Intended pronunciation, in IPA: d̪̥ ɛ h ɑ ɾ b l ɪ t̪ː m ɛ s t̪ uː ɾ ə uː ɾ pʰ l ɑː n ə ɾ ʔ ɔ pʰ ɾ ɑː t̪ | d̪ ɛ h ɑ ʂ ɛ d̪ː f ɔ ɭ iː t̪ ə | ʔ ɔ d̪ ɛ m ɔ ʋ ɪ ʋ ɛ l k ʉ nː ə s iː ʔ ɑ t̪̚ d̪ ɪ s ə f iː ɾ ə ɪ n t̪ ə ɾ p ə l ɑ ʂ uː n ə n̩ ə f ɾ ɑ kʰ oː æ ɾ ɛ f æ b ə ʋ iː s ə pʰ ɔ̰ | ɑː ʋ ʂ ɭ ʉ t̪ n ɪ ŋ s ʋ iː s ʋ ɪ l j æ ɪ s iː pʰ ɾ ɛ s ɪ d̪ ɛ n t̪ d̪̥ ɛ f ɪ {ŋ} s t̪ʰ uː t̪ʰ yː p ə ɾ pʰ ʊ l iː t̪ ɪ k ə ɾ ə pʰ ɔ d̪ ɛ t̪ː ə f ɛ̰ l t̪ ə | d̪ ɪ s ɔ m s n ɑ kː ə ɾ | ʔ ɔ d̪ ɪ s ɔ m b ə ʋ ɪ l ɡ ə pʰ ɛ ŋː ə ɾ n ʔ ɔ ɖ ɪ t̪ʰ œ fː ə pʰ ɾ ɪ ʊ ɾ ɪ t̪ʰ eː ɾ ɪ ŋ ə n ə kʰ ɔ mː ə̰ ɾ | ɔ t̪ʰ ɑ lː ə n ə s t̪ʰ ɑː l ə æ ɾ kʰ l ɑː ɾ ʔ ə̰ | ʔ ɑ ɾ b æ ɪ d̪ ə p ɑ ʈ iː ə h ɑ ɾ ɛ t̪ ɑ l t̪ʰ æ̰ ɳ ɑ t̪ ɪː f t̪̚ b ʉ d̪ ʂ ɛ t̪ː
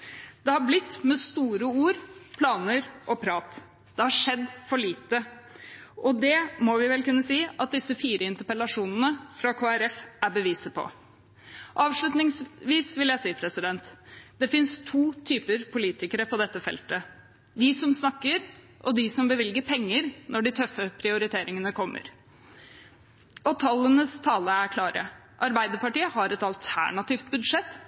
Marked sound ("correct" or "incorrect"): incorrect